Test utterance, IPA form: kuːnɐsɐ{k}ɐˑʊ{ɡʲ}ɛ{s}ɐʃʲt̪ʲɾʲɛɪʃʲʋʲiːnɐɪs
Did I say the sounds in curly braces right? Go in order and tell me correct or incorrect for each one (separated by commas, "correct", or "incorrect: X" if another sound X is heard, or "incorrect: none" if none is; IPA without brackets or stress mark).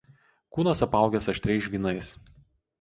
incorrect: p, correct, correct